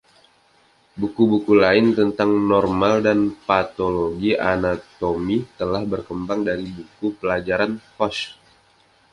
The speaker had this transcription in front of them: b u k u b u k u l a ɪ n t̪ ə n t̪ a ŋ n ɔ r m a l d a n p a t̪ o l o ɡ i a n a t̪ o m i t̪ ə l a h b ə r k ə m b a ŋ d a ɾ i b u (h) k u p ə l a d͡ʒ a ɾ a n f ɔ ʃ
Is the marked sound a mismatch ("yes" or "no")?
yes